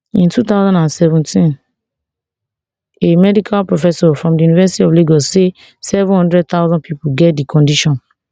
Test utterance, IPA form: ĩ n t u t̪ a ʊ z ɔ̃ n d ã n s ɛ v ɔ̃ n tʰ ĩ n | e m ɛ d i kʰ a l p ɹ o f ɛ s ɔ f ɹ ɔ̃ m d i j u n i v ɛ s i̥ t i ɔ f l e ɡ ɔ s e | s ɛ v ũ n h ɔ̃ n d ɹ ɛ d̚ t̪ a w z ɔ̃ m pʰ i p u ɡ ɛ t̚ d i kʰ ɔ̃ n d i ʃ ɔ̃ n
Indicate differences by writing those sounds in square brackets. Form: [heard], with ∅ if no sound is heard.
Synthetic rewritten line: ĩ n t u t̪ a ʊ z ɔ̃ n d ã n s ɛ v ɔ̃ n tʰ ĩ n | e m ɛ d i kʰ a l p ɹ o f ɛ s ɔ f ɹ ɔ̃ m d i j u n i v ɛ s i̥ t i ɔ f l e ɡ ɔ s e | s ɛ v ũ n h ɔ̃ n d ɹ ɛ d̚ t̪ a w z ɔ̃ [n] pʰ i p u ɡ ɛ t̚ d i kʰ ɔ̃ n d i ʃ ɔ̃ n